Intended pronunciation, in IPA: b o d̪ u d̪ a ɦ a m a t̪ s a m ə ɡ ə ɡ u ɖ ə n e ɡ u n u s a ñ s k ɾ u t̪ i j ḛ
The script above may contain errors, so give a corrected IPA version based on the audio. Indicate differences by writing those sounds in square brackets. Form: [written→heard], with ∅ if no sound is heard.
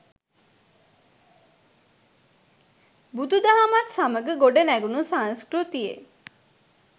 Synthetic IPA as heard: b [o→u] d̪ u d̪ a ɦ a m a t̪ s a m ə ɡ ə ɡ [u→o] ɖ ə n [e→æ] ɡ u n u s a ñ s k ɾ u t̪ i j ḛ